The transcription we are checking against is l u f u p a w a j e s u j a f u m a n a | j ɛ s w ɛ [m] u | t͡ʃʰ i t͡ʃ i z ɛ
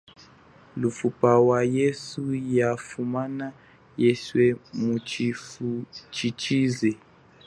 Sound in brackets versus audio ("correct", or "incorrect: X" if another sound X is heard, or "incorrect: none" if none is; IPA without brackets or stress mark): correct